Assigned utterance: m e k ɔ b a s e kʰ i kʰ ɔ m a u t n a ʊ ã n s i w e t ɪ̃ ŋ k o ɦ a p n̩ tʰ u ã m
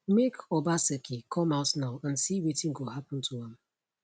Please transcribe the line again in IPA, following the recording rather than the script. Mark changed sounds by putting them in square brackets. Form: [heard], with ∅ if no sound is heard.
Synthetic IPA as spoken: m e k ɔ b a s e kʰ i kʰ ɔ m a [ʊ] t n a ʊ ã n s i w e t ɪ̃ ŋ [ɡ] o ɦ a p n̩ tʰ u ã m